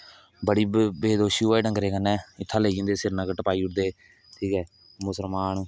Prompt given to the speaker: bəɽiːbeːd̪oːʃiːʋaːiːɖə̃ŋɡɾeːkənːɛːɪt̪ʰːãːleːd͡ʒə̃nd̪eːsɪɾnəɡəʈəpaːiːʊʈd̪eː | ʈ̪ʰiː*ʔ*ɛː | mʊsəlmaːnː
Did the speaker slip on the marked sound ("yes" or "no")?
yes